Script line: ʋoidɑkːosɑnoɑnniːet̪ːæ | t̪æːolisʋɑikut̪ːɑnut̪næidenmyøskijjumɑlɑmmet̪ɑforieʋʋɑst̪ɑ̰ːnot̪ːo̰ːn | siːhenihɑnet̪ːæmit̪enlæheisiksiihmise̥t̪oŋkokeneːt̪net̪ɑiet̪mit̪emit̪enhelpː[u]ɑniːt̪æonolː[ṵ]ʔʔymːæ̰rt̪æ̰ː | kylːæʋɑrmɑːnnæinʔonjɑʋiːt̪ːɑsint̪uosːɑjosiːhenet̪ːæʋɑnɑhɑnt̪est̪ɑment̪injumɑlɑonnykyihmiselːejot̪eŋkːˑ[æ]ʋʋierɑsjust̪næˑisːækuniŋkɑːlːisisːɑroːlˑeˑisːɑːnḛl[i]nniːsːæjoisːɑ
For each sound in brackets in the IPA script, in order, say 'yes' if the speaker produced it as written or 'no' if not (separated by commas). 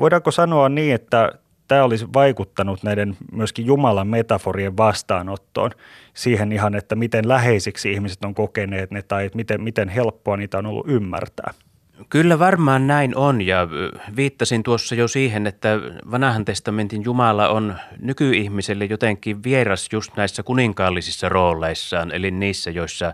no, yes, no, yes